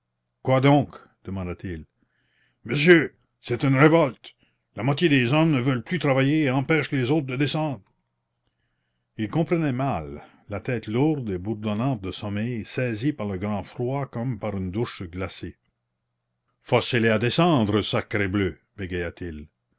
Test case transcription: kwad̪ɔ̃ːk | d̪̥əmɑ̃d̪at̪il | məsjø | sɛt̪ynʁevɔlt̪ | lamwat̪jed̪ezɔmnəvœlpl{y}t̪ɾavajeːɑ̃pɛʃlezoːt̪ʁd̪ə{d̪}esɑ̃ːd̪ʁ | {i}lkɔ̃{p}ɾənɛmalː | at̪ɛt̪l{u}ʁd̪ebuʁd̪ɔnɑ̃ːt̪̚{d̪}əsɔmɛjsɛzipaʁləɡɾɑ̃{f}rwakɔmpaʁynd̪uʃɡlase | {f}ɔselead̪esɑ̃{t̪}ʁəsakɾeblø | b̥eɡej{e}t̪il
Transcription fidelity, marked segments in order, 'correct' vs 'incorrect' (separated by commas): correct, correct, correct, correct, correct, correct, correct, correct, incorrect, incorrect